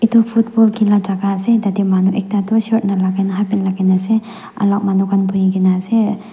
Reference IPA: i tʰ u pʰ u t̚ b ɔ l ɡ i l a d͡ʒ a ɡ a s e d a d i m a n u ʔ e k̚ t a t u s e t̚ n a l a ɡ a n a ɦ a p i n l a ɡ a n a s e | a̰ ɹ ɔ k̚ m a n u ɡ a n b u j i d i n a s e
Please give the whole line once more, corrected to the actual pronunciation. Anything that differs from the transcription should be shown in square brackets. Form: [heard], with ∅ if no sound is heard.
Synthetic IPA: i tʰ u pʰ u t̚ b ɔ l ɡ i l a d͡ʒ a ɡ a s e d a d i m a n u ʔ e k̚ t a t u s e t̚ n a l a ɡ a n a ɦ a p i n l a ɡ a n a s e | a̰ [l] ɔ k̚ m a n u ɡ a n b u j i [ɡ] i n a s e

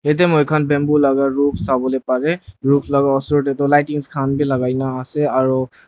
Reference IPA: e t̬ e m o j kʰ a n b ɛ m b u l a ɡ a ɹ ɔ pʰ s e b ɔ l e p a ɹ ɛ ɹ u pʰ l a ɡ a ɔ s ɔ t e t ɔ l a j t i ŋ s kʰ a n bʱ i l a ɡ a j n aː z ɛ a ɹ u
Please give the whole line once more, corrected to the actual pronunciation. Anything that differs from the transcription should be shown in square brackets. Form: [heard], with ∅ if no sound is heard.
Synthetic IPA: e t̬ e m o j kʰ a n b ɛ m b u l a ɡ a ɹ [u] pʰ s [a] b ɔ l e p a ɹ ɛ ɹ u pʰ l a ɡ a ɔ s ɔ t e t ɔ l a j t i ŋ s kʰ a n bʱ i l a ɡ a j n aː [s] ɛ a ɹ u

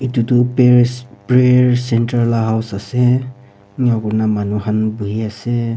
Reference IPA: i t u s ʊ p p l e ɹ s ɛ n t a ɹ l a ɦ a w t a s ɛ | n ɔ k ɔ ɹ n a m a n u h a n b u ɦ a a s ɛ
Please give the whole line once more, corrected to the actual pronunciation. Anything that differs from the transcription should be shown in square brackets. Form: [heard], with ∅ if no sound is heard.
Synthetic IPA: i t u [t] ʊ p p [ɹ] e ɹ s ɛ n t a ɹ l a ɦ a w [s] a s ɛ | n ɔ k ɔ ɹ n a m a n u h a n b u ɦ [i] a s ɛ

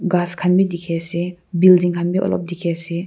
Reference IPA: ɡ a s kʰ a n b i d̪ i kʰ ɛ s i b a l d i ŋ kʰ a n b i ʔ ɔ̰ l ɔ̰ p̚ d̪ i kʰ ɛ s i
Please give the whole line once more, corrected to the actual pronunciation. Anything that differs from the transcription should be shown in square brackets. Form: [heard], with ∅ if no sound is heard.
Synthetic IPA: ɡ a s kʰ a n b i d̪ i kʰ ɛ s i b [i] l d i ŋ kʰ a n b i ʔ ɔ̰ l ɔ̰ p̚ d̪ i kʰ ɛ s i

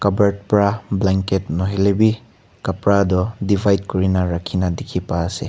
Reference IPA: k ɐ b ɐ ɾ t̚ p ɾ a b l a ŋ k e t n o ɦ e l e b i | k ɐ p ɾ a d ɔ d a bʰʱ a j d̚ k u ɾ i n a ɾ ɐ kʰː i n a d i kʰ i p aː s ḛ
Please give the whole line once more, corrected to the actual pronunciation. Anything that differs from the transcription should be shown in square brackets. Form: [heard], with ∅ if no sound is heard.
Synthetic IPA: k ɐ b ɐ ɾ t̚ p ɾ a b l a ŋ k e t n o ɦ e l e b i | k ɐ p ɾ a d ɔ d [i] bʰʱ a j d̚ k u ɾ i n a ɾ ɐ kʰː i n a d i kʰ i p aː s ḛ

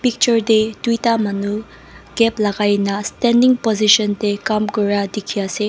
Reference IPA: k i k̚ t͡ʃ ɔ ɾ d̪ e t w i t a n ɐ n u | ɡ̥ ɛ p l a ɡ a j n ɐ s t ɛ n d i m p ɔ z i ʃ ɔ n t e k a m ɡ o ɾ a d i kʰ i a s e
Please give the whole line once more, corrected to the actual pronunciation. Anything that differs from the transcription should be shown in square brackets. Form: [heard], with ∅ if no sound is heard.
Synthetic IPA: [p] i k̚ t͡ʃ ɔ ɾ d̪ e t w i t a [m] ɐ n u | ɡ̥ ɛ p l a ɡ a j n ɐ s t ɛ n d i [ŋ] p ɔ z i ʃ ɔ n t e k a m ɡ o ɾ a d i kʰ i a s e

